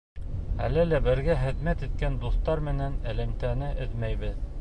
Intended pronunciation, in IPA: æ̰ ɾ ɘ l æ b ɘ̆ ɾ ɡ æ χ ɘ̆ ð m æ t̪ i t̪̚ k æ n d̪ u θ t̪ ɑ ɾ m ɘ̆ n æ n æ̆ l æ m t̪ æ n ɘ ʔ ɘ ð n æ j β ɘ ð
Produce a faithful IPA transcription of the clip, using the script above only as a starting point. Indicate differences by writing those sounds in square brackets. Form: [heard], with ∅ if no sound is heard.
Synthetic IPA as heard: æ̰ [l] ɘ l æ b ɘ̆ ɾ ɡ æ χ ɘ̆ ð m æ t̪ i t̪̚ k æ n d̪ u θ t̪ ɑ ɾ m ɘ̆ n æ n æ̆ l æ m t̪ æ n ɘ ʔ ɘ ð [m] æ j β ɘ ð